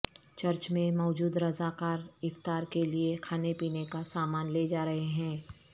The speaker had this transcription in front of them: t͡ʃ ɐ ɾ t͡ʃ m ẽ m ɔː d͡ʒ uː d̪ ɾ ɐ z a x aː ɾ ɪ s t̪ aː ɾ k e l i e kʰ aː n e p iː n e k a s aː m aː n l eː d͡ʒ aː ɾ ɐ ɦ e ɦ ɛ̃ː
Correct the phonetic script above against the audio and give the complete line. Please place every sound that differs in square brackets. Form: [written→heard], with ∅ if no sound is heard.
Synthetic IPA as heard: t͡ʃ ɐ ɾ t͡ʃ m ẽ m ɔː d͡ʒ uː d̪ ɾ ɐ z a [x→k] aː ɾ ɪ [s→f] t̪ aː ɾ k e l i e kʰ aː n e p iː n e k a s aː m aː n l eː d͡ʒ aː ɾ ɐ ɦ e ɦ ɛ̃ː